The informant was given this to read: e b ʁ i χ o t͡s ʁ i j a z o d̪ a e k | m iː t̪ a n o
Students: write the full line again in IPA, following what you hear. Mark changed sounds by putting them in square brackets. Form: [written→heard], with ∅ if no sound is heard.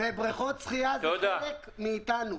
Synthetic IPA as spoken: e b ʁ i χ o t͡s [ʁ→χ] i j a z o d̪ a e k | m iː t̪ a n [o→u]